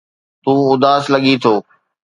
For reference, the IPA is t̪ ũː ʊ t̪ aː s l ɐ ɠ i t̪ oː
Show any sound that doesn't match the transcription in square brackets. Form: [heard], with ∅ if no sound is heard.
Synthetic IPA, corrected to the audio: t̪ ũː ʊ [d̪] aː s l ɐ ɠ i [t̪ʰ] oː